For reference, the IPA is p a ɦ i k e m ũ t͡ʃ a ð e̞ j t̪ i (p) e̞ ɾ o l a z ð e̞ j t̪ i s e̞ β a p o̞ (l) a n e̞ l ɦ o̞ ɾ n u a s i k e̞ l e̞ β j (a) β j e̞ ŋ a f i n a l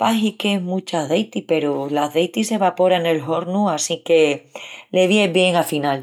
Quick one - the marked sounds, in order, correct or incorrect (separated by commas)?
correct, incorrect, incorrect